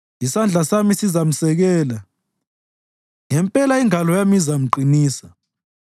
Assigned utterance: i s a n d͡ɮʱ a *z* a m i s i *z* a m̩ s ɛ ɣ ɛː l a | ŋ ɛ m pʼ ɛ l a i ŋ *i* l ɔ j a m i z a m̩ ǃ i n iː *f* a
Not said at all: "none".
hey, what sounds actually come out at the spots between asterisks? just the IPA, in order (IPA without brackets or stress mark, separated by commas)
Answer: s, z, a, s